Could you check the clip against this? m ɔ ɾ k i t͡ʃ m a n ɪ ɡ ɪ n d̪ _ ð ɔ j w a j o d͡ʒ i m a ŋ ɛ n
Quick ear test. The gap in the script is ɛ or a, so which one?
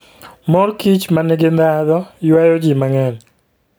a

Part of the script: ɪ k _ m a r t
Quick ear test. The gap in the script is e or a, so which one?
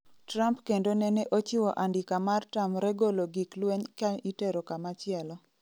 a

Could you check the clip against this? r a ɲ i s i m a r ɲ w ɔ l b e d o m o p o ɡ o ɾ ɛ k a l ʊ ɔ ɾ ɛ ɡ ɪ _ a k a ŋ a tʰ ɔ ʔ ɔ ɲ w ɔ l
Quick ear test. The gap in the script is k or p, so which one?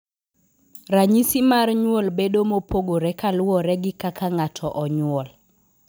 k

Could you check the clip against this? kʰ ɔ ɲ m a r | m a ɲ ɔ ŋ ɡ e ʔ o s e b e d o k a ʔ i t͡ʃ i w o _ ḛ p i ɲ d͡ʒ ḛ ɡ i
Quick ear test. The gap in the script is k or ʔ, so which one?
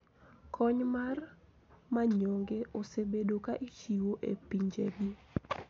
ʔ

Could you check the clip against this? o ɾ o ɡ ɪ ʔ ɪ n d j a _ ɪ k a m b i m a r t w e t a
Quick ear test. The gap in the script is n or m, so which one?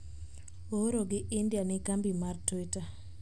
n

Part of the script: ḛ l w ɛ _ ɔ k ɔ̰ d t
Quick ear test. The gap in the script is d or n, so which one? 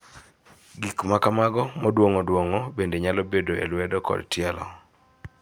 d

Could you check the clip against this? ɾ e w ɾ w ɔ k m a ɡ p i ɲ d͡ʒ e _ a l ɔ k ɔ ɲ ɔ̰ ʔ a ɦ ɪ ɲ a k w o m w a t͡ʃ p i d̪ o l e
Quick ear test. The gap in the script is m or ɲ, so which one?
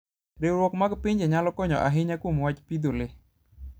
ɲ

